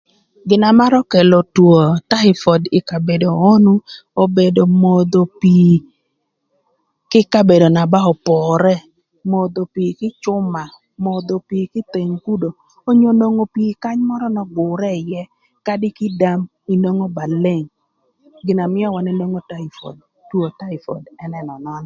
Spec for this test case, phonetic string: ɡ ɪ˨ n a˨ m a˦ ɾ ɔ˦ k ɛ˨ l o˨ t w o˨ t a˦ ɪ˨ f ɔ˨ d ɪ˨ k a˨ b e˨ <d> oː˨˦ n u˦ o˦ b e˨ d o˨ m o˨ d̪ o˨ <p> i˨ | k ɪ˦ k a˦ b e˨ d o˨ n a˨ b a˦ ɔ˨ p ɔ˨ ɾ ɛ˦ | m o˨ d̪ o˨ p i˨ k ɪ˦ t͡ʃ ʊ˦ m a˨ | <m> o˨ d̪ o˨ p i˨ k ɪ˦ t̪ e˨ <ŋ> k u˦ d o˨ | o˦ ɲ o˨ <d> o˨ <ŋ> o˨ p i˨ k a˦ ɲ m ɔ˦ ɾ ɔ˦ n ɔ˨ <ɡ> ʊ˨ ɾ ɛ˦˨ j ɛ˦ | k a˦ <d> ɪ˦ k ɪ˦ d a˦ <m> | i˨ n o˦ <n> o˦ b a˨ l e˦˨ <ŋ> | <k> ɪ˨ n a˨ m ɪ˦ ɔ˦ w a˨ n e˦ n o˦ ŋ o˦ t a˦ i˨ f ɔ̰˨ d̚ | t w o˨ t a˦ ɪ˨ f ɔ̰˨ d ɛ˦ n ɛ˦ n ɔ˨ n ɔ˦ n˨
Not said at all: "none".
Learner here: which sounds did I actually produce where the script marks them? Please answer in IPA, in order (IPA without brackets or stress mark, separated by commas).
d, p, m, ŋ, n, ŋ, ɡ, d, m, ŋ, ŋ, ɡ